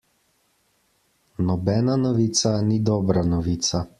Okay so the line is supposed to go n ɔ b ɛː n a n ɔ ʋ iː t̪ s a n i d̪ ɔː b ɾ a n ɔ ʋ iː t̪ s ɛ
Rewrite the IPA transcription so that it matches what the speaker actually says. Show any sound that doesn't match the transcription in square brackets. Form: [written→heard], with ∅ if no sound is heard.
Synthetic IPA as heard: n ɔ b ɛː n a n ɔ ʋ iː t̪ s a n i d̪ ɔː b ɾ a n ɔ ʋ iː t̪ s [ɛ→a]